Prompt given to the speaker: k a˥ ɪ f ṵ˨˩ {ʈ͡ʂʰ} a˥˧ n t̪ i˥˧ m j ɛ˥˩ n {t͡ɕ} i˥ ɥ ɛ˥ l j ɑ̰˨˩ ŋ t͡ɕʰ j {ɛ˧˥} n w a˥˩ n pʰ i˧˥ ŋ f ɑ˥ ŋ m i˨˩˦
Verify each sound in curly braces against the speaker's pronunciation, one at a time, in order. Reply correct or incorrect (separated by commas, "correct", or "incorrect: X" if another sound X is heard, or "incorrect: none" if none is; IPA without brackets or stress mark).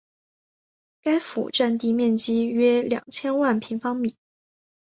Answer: incorrect: ʈ͡ʂ, correct, incorrect: ɛ˥